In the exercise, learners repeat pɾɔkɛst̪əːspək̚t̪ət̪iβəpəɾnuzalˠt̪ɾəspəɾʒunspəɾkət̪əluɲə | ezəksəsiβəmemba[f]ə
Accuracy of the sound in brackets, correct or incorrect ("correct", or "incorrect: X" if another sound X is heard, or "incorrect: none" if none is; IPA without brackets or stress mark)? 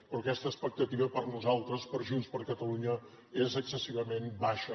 incorrect: ʃ